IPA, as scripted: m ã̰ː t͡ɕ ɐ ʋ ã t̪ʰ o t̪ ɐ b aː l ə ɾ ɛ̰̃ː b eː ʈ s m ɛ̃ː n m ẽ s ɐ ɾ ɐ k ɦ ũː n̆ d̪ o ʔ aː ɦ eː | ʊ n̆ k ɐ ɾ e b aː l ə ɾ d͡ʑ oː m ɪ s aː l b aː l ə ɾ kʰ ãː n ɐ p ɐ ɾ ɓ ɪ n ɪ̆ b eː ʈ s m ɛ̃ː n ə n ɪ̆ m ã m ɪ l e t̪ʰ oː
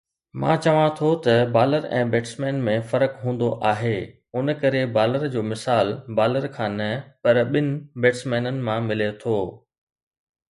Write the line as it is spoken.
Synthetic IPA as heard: m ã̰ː t͡ɕ ɐ ʋ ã t̪ʰ o t̪ ɐ b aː l ə ɾ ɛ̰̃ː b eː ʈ s m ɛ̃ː n m ẽ f ɐ ɾ ə k ɦ ũː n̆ d̪ o ʔ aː ɦ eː | ʊ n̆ k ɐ ɾ e b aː l ə ɾ d͡ʑ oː m ɪ s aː l b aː l ə ɾ kʰ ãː n ɐ p ɐ ɾ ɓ ɪ n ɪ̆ b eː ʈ s m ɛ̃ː n ə n ɪ̆ m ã m ɪ l e t̪ʰ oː